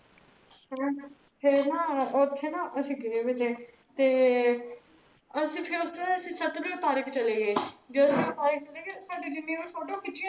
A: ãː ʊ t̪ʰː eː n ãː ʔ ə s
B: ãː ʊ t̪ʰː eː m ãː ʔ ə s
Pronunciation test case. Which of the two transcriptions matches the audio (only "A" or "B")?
A